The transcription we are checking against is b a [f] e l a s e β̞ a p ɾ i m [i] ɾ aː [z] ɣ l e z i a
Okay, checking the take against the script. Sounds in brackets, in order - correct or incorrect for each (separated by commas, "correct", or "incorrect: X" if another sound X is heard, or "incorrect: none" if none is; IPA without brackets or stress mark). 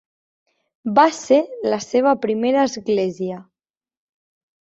incorrect: s, incorrect: e, correct